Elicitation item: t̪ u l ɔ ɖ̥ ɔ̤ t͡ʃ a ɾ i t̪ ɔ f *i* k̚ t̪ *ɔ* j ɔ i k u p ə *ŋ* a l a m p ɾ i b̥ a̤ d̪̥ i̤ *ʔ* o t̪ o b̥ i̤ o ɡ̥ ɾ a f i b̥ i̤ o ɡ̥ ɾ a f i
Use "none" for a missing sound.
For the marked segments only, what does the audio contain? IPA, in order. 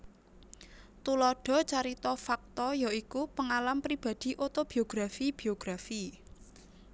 a, ɔ, ŋ, ʔ

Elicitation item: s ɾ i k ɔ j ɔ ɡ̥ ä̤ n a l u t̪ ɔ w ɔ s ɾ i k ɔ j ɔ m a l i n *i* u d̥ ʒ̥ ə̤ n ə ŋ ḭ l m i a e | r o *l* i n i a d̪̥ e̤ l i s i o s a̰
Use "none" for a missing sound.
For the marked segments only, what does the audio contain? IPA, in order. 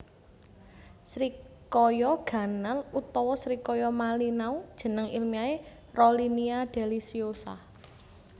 a, l

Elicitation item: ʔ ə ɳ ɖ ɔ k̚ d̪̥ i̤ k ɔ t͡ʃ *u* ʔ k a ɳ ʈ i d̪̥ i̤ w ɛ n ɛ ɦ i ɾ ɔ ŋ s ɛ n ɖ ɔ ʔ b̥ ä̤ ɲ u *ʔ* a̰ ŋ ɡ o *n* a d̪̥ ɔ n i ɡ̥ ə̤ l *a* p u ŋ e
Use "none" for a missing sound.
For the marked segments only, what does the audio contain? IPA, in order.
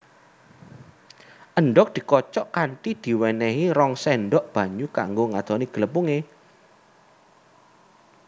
ɔ, k, ŋ, ə

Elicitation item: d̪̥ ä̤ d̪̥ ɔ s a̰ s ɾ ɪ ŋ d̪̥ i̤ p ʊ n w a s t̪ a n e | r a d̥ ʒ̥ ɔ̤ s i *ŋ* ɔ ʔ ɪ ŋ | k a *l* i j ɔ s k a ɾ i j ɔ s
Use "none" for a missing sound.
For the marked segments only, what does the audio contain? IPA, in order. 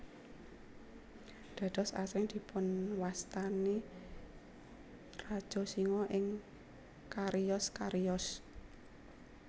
ŋ, ɾ

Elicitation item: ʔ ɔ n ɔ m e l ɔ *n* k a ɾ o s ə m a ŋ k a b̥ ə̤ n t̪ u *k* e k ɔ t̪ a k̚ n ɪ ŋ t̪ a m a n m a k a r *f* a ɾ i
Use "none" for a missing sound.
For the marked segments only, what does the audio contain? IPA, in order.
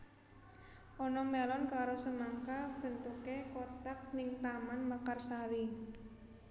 n, k, s

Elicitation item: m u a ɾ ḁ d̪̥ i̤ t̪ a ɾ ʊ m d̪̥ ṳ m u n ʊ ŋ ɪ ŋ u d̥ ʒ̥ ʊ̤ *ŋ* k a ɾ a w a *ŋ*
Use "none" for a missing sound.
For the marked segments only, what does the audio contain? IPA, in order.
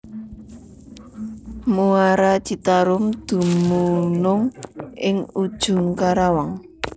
ŋ, ŋ

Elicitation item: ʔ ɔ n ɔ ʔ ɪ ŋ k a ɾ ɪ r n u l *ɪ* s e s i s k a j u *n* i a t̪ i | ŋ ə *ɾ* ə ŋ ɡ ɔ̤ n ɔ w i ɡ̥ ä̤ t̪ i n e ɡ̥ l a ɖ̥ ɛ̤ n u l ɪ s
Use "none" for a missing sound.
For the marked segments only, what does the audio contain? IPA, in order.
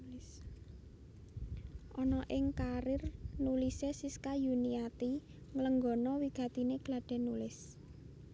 i, n, l

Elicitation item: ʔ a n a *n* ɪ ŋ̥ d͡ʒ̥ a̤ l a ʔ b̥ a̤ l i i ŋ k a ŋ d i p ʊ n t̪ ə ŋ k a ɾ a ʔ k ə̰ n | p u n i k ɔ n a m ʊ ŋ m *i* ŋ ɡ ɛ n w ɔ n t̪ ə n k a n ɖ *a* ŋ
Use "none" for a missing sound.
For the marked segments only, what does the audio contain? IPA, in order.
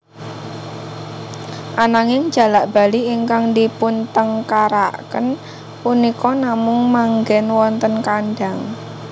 ŋ, a, a

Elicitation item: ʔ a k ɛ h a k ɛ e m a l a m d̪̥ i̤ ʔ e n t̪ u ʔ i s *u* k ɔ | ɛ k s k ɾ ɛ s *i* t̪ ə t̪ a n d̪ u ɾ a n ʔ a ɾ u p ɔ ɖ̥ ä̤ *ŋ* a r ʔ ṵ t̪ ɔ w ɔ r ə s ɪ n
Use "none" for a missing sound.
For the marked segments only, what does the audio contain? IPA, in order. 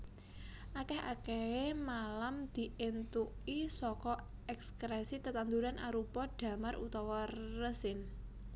ɔ, i, m

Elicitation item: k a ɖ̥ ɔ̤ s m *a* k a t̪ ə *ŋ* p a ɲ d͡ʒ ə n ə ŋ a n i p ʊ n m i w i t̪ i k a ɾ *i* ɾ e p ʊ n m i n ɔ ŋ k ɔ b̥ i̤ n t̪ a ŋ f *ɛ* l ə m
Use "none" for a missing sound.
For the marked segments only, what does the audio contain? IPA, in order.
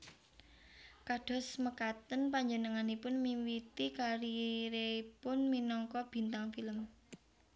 ə, n, i, i

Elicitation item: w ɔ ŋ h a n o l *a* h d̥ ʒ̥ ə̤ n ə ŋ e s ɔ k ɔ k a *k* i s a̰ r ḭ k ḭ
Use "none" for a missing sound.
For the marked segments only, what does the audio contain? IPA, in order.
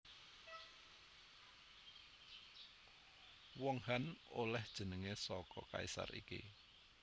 ɛ, none

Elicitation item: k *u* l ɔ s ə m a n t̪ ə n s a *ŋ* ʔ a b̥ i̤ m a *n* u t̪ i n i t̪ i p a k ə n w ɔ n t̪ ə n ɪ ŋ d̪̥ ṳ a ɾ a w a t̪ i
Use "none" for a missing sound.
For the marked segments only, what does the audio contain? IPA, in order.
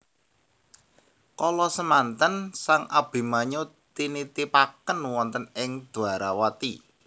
ɔ, ŋ, ɲ

